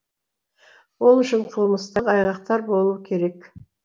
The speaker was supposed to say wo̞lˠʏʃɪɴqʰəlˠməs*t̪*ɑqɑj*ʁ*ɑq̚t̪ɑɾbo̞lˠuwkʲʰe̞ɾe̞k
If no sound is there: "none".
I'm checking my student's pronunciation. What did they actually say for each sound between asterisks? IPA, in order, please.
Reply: t̪, ʁ

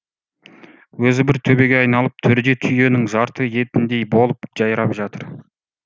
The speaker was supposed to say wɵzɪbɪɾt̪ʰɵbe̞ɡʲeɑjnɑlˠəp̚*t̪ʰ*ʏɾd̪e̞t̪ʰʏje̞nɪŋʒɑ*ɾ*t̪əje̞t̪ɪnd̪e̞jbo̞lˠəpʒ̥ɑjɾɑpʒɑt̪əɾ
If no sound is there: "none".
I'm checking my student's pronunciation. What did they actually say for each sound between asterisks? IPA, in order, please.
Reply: t̪ʰ, ɾ

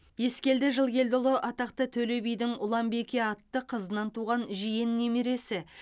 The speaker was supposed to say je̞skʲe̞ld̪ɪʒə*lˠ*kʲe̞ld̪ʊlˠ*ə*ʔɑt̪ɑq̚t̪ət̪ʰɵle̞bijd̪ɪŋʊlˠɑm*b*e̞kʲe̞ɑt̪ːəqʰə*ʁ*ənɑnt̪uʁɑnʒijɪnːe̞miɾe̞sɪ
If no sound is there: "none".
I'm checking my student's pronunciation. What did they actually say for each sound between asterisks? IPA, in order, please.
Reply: lˠ, ə, b, z

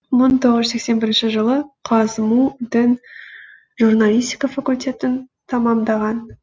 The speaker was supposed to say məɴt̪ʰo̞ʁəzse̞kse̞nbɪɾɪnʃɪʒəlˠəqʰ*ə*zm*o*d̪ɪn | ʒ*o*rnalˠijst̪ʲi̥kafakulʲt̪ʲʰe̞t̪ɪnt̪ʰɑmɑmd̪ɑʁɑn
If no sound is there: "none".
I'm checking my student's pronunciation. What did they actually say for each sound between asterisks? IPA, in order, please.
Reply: ɑ, u, u

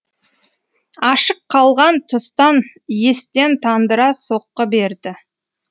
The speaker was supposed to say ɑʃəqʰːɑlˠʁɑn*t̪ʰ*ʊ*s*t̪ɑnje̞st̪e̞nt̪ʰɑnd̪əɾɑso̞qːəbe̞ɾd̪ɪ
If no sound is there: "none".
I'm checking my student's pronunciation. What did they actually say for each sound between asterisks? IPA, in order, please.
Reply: t̪ʰ, s

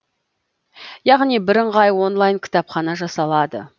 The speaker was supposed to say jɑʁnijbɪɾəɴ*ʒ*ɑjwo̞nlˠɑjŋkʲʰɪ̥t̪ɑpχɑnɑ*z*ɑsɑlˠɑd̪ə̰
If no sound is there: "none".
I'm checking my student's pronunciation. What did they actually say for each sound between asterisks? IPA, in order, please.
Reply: ʁ, ʒ

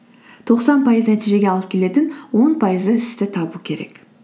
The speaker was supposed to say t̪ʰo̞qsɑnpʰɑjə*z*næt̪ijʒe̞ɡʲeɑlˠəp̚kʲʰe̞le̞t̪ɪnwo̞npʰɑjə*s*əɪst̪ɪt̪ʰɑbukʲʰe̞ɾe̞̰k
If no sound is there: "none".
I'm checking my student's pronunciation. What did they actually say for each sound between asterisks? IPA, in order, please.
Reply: z, z

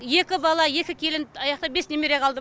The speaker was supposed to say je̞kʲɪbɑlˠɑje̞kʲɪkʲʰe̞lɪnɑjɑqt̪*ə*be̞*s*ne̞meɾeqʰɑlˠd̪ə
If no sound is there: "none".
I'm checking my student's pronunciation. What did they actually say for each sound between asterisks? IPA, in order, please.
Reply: ɑ, s

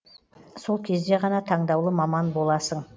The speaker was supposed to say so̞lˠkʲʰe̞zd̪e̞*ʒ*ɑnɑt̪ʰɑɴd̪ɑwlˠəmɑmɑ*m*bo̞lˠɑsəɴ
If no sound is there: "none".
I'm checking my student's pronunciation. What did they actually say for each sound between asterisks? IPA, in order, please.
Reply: ʁ, n

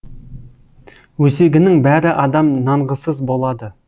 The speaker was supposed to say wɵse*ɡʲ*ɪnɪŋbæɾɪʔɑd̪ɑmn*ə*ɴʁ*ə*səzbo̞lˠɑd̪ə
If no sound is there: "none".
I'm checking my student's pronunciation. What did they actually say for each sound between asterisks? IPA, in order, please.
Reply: ɡʲ, ɑ, ə

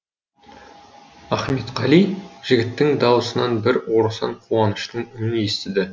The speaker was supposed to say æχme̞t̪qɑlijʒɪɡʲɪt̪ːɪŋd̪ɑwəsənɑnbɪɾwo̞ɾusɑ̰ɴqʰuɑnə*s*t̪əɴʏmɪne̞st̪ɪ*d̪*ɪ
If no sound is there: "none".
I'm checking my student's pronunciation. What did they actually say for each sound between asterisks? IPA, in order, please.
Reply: ʃ, d̪

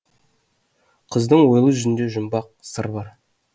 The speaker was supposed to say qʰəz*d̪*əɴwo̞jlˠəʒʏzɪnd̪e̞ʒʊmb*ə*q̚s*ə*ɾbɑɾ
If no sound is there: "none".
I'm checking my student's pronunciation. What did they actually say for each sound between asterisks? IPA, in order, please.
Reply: d̪, ɑ, ə

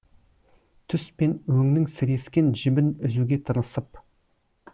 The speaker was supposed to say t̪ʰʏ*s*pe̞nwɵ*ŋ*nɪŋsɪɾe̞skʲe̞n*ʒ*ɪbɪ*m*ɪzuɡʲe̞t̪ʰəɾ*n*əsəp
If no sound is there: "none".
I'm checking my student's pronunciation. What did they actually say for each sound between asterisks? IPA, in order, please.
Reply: s, ŋ, ʒ, n, n

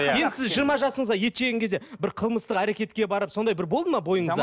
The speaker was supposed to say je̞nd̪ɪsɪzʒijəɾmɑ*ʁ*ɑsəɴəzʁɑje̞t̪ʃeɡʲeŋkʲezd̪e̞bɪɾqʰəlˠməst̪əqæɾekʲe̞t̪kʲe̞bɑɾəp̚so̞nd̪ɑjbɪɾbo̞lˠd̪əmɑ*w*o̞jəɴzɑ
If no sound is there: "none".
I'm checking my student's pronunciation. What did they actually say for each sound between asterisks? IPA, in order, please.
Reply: ʒ, b

